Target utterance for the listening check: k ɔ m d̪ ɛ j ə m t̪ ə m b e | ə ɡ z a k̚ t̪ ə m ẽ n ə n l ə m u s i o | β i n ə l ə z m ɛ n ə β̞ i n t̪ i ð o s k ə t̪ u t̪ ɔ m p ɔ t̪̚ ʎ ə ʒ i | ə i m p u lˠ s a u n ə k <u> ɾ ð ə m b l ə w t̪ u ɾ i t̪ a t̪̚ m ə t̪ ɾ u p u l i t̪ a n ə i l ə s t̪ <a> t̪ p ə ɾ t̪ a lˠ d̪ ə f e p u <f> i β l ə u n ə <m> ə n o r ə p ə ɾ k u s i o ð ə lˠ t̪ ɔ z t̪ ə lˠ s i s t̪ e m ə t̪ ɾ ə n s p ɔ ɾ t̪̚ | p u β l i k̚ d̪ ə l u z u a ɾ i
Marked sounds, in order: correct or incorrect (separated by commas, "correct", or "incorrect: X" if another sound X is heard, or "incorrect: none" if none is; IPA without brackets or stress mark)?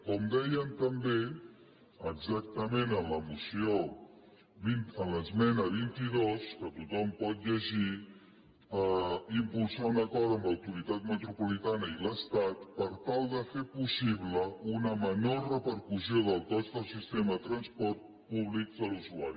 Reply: incorrect: ɔ, correct, incorrect: s, correct